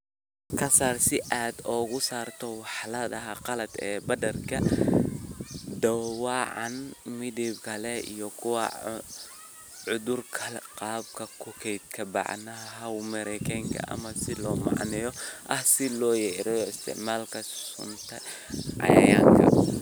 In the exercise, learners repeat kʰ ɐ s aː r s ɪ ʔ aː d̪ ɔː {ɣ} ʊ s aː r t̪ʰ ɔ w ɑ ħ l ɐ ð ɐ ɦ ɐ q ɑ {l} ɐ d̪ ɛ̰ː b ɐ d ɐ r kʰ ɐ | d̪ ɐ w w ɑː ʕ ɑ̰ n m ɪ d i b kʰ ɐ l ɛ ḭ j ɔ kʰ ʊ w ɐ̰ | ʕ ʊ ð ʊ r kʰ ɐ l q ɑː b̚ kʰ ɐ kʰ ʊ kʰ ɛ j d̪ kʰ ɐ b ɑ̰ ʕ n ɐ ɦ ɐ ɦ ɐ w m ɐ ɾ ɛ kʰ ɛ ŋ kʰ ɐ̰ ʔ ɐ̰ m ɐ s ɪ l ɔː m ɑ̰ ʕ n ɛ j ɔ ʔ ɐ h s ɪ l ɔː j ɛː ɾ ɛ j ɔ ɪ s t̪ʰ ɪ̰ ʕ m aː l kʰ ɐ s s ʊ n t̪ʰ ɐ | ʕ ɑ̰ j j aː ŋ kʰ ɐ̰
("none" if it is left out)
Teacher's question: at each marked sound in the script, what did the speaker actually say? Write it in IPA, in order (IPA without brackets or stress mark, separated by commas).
ɣ, l